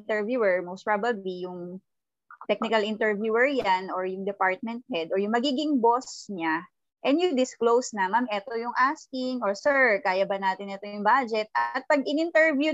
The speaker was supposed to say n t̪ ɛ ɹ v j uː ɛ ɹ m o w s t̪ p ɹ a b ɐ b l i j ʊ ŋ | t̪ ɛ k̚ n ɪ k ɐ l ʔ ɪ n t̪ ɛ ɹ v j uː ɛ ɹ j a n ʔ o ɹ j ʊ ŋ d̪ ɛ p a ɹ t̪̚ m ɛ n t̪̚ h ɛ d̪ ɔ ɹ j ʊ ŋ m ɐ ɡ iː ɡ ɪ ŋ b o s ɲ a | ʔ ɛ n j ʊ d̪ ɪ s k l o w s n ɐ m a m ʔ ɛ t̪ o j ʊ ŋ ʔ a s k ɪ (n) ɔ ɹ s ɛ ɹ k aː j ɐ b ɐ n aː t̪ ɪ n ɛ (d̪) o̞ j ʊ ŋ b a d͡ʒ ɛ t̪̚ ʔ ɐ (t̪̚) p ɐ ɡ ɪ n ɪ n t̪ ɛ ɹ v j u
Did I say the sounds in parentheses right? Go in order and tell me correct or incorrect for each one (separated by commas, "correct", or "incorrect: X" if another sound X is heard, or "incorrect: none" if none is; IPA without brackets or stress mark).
incorrect: ŋ, incorrect: t̪, correct